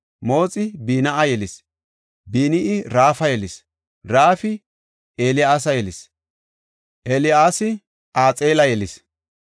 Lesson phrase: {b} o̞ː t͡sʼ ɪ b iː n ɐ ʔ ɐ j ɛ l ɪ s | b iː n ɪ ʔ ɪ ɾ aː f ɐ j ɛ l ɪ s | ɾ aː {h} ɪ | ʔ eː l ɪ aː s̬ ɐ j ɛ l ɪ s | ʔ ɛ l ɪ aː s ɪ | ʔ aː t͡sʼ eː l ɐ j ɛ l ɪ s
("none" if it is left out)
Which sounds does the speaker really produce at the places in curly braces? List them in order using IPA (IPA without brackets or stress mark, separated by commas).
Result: m, f